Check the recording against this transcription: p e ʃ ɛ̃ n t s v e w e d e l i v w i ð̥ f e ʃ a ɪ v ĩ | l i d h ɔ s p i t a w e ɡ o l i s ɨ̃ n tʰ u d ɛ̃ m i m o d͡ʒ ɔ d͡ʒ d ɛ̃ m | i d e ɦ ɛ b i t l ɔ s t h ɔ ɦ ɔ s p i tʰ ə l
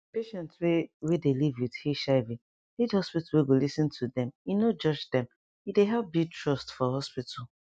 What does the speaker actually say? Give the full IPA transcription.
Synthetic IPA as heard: p e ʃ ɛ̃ n t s w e w e d e l i v w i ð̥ h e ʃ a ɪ v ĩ | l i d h ɔ s p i t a w e ɡ o l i s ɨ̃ n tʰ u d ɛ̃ m i n o d͡ʒ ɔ d͡ʒ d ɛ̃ m | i d e ɦ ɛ b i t ɹ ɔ s t f ɔ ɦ ɔ s p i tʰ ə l